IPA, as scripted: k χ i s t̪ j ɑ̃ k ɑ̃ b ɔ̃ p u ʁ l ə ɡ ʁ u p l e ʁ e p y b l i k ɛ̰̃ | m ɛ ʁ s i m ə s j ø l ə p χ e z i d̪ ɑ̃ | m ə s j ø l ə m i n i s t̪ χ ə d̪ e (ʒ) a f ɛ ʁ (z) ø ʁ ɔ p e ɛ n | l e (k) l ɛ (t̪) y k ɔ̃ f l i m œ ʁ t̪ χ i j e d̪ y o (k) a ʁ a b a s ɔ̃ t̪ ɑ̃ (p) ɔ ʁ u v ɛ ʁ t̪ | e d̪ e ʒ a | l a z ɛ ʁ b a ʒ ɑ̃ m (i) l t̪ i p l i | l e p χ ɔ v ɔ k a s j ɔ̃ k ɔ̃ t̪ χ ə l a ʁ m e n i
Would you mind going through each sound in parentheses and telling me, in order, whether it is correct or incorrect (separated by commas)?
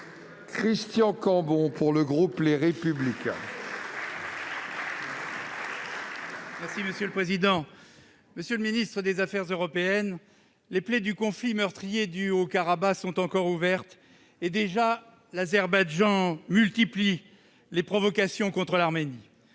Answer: incorrect, correct, incorrect, incorrect, correct, incorrect, incorrect